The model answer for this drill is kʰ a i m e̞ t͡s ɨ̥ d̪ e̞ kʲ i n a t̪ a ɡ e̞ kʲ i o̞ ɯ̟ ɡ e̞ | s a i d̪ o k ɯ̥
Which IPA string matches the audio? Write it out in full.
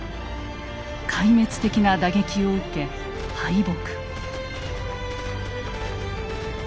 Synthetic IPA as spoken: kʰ a i m e̞ t͡s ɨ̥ t̪ e̞ kʲ i n a d̪ a ɡ e̞ kʲ i o̞ ɯ̟ k e̞ | h a i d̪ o k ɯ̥